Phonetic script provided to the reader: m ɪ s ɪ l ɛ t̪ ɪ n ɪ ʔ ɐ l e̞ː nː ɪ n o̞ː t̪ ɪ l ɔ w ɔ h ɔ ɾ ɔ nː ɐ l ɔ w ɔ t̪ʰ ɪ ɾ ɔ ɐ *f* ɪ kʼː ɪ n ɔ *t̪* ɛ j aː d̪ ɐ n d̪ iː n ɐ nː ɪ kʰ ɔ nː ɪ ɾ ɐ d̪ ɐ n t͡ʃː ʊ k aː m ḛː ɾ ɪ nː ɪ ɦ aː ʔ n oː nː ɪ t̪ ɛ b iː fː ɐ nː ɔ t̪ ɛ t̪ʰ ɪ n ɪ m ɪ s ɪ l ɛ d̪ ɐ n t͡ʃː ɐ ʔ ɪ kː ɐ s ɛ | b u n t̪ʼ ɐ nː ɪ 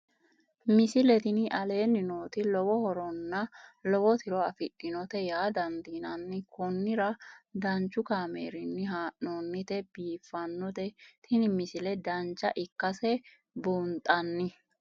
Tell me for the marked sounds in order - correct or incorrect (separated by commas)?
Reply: correct, correct